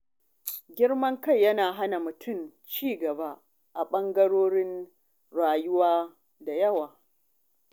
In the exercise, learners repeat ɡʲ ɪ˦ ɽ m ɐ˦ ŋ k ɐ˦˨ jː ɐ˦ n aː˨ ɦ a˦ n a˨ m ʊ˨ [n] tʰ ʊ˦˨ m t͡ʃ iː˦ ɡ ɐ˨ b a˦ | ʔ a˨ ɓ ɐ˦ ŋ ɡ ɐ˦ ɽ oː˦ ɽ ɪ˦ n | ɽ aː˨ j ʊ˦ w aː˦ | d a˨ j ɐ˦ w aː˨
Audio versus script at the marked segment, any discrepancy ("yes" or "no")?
yes